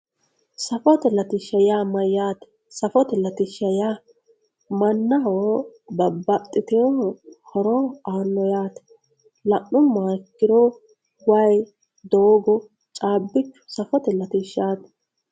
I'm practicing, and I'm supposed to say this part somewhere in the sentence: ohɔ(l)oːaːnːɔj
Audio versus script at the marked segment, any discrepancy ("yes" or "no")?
yes